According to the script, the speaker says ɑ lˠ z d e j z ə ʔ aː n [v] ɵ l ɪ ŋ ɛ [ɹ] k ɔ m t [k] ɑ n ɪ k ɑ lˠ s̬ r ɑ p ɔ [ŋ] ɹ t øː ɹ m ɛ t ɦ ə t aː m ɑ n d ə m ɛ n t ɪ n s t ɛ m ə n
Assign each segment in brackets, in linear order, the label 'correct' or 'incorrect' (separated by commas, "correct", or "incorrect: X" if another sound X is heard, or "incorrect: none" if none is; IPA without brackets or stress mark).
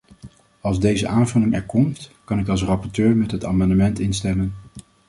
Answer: correct, correct, correct, incorrect: none